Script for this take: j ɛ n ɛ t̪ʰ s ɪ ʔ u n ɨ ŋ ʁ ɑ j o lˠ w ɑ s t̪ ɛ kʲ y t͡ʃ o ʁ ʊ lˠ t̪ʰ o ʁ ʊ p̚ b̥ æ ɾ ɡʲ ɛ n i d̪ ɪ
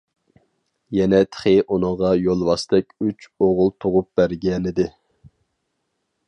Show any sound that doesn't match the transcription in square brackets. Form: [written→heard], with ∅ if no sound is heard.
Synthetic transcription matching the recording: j ɛ n ɛ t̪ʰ [s→χ] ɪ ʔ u n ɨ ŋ ʁ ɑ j o lˠ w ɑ s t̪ ɛ kʲ y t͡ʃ o ʁ ʊ lˠ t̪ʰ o ʁ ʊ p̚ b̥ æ ɾ ɡʲ ɛ n [i→ɪ] d̪ ɪ